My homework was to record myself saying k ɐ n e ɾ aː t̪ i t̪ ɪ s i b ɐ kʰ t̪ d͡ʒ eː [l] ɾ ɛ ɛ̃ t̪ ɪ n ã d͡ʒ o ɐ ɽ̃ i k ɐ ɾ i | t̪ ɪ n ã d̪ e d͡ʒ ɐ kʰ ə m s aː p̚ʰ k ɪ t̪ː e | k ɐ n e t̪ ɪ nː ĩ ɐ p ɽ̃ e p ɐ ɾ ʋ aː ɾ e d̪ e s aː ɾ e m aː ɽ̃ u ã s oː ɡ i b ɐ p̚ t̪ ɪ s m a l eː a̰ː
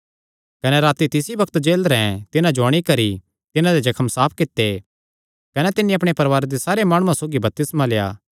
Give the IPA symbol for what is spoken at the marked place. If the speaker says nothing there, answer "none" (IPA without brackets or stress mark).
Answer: l